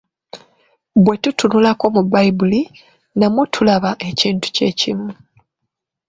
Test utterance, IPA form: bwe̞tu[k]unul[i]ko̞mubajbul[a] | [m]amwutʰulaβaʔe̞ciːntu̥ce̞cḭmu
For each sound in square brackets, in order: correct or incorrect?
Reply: incorrect: t, incorrect: a, incorrect: i, incorrect: n

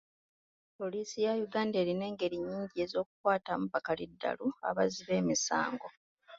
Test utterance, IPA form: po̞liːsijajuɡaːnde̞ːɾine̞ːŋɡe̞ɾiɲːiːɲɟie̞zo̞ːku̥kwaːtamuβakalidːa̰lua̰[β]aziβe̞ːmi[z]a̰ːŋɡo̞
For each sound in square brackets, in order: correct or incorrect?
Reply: correct, incorrect: s

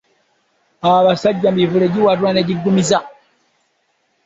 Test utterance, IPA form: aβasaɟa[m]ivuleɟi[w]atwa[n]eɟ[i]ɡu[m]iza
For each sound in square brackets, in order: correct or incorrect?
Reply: correct, correct, correct, correct, correct

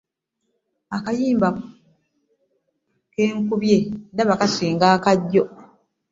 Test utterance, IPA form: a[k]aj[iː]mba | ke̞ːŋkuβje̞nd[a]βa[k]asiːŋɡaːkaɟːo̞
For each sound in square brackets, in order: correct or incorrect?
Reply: correct, correct, correct, correct

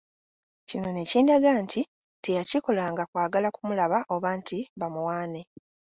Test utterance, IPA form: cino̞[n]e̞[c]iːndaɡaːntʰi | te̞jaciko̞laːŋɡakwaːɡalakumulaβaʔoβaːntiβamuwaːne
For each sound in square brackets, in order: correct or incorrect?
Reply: correct, correct

